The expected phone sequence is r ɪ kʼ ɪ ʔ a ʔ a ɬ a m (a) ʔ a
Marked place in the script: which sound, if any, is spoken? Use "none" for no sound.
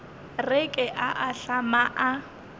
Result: a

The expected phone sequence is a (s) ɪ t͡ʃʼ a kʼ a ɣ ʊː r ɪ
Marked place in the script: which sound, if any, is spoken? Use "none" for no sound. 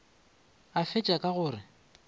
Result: f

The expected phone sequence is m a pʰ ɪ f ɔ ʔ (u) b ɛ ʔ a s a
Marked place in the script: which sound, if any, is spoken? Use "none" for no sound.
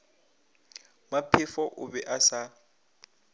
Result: ʊ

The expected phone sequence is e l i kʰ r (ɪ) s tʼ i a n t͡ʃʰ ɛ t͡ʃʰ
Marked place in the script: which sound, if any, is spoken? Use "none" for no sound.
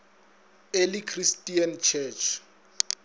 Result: i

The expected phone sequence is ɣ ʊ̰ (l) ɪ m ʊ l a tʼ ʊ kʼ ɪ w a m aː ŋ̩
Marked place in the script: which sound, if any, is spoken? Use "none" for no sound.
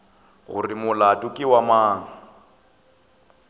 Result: r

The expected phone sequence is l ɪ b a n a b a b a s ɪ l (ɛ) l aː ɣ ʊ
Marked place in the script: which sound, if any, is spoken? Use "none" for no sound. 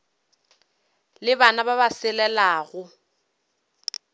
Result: ɛ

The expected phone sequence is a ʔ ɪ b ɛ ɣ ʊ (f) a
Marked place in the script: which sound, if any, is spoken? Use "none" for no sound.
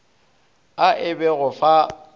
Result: f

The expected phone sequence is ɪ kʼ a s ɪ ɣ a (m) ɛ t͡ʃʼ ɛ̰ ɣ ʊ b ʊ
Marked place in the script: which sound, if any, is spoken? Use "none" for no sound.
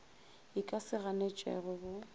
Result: n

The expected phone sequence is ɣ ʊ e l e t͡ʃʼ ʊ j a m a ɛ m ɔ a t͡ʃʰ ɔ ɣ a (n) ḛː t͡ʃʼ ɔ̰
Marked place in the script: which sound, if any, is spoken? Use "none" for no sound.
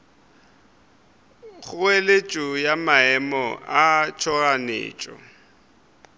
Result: n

